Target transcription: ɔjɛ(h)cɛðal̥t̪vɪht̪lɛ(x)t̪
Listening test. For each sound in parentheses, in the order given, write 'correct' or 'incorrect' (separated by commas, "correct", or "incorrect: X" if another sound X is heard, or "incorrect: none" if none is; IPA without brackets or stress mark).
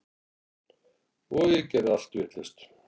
incorrect: none, incorrect: s